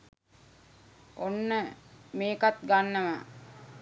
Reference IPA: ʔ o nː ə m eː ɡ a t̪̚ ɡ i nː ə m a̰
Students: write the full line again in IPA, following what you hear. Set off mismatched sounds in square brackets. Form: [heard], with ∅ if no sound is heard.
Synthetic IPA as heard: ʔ o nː ə m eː [k] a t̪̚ ɡ [a] nː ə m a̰